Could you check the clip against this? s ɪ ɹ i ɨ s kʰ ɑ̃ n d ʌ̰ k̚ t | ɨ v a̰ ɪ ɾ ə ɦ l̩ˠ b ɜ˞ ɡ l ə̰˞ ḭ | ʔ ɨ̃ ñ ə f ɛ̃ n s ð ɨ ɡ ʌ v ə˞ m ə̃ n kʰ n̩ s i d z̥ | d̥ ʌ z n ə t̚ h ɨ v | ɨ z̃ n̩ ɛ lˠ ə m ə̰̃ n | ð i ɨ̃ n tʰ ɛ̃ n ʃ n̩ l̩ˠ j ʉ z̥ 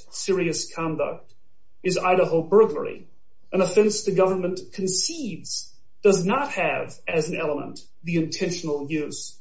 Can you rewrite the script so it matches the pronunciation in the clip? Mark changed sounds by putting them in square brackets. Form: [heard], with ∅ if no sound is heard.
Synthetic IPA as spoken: s ɪ ɹ i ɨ s kʰ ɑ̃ n d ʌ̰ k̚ t | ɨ [z] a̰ ɪ ɾ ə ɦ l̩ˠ b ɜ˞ ɡ l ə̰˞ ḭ | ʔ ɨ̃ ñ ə f ɛ̃ n s ð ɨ ɡ ʌ v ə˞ m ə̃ n kʰ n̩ s i d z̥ | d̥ ʌ z n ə t̚ h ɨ v | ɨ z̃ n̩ ɛ lˠ ə m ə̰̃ n | ð i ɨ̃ n tʰ ɛ̃ n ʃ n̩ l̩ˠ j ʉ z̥